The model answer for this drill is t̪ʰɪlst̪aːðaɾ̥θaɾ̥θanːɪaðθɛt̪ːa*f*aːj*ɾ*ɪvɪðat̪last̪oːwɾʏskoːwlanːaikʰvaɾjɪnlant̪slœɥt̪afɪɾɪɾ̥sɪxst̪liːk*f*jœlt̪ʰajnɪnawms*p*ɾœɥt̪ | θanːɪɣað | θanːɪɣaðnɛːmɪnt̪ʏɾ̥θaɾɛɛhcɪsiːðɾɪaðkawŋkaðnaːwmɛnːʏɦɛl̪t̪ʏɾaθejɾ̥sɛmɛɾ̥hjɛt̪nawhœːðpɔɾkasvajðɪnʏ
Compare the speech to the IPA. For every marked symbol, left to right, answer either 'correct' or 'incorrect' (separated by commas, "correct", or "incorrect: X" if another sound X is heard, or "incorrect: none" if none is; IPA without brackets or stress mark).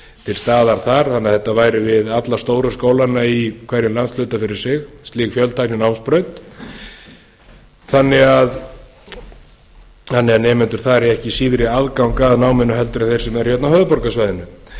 incorrect: v, correct, correct, correct